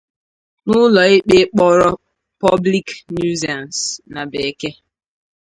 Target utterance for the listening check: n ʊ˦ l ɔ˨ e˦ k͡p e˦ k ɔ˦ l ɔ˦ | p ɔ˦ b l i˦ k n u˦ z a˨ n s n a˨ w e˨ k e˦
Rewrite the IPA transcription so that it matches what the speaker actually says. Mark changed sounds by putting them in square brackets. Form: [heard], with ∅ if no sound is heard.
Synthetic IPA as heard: n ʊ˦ l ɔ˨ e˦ k͡p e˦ [k͡p] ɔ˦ [ɾ] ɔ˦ | p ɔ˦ b l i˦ k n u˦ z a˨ n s n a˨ [b] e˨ k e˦

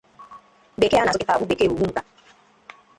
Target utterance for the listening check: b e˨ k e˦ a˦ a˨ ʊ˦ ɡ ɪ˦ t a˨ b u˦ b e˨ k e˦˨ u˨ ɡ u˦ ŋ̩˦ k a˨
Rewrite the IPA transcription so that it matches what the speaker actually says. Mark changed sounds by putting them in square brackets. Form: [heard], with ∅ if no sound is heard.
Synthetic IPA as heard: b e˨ k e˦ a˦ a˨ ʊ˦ [k] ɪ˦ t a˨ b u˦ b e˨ k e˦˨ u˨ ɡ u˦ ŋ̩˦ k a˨

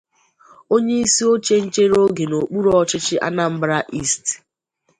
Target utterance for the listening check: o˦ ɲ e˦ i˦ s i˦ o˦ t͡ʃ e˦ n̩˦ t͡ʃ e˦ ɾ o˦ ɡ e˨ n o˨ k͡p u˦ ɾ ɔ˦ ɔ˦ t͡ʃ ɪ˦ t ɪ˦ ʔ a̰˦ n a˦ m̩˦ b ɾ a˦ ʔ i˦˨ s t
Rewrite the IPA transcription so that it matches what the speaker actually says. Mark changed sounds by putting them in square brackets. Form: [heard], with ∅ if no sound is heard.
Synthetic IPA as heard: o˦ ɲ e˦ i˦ s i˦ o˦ t͡ʃ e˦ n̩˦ t͡ʃ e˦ ɾ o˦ ɡ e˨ n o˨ k͡p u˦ ɾ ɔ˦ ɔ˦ t͡ʃ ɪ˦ [t͡ʃ] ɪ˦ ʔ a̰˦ n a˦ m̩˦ b ɾ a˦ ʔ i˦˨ s t

